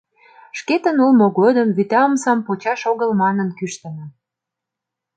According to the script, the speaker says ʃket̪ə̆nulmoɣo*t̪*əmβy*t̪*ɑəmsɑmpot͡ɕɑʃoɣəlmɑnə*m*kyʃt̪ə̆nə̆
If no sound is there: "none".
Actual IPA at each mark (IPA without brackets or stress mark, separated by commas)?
d̪, t̪, n